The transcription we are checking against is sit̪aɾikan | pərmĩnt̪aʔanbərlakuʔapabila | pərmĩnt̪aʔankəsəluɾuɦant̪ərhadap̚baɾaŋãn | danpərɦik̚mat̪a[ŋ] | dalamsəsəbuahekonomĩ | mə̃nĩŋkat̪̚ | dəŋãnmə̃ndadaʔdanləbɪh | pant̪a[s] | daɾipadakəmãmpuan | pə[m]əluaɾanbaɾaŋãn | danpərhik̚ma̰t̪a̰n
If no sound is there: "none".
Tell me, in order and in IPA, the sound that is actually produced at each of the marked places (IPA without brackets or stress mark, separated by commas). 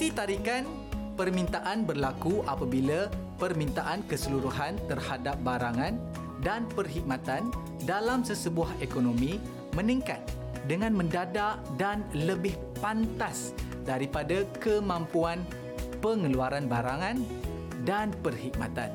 n, s, ŋ